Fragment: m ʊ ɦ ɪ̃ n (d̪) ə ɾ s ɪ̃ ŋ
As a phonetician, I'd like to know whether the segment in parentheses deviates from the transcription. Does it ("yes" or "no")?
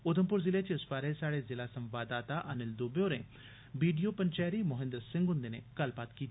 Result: no